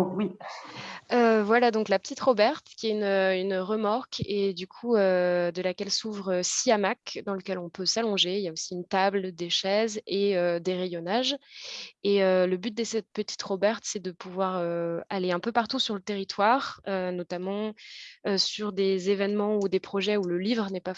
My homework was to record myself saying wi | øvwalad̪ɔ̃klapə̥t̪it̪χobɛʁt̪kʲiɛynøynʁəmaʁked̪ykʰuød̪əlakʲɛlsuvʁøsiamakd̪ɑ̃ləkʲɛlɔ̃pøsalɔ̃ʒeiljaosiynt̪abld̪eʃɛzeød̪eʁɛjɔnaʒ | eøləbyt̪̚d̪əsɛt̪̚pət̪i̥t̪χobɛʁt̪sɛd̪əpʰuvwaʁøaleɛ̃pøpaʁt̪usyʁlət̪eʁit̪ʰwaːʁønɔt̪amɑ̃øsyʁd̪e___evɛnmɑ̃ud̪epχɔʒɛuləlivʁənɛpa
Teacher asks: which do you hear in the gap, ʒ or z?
z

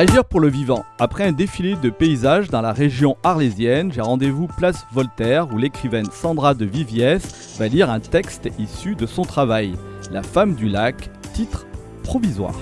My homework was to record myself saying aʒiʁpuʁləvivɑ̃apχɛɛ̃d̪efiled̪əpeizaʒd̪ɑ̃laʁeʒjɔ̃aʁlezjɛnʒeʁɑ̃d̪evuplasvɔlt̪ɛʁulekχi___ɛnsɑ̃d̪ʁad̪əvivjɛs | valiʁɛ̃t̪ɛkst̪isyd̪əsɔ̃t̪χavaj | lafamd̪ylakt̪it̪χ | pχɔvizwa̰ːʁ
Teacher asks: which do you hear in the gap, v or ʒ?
v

